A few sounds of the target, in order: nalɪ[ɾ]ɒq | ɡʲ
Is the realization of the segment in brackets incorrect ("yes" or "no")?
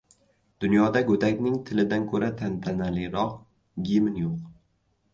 no